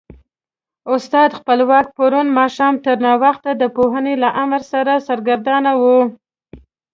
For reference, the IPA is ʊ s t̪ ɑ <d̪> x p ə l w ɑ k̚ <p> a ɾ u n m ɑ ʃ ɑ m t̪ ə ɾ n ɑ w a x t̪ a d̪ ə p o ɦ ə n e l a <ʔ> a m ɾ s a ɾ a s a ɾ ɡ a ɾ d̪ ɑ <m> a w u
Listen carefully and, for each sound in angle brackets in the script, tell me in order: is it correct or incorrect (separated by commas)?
correct, correct, correct, incorrect